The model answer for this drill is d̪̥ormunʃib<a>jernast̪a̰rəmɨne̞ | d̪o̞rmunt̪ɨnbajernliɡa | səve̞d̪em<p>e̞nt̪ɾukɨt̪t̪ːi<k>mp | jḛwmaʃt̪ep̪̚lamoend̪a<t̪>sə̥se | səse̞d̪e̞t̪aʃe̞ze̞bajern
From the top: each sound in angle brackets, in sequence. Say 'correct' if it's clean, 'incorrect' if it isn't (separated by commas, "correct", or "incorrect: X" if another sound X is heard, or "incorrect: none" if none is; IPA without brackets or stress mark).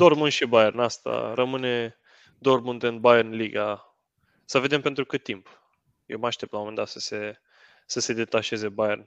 correct, correct, incorrect: none, correct